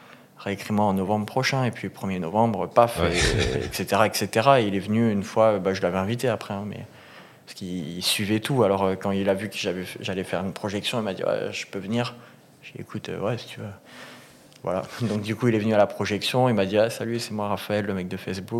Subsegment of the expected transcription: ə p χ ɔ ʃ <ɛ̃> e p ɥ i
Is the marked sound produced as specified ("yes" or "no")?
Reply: yes